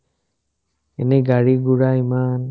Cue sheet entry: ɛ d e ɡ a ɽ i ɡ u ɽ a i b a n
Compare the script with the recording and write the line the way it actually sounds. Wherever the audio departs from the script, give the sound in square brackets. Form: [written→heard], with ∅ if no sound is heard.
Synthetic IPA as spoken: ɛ [d→n] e ɡ a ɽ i ɡ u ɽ a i [b→m] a n